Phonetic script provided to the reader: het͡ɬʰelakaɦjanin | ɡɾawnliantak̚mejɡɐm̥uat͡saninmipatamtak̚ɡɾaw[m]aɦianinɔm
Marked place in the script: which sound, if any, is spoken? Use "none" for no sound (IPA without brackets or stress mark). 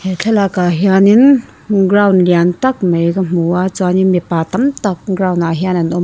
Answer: n